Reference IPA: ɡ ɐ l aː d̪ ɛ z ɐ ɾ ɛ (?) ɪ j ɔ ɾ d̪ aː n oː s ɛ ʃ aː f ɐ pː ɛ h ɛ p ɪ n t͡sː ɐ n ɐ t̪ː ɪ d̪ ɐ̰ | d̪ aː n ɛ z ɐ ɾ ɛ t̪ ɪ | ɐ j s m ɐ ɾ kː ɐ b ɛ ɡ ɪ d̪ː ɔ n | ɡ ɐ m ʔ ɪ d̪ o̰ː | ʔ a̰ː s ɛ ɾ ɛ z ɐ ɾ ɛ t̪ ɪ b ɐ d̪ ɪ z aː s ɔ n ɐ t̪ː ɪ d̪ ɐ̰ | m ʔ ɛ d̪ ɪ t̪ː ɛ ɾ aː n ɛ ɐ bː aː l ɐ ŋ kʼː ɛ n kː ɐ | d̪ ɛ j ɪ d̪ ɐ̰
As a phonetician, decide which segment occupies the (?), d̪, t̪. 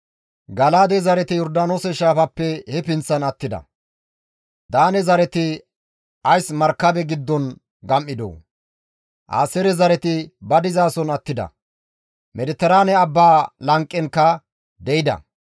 t̪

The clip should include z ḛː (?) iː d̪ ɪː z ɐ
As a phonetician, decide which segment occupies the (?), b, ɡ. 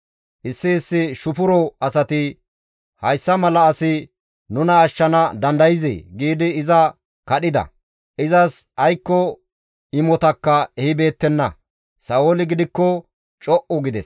ɡ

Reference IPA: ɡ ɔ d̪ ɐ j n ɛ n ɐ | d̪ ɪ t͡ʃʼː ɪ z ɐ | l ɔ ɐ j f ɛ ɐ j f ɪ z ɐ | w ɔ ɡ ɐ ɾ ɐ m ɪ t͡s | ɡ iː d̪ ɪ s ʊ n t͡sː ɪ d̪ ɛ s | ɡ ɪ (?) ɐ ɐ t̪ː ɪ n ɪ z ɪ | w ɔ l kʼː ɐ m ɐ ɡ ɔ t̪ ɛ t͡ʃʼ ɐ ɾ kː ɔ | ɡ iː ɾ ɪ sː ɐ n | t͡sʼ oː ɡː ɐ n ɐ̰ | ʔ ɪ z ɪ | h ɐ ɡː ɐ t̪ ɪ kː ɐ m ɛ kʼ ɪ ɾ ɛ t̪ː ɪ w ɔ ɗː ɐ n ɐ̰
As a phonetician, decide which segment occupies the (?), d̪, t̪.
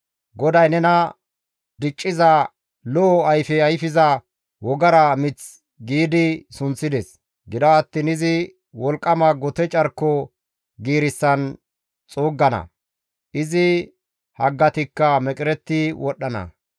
d̪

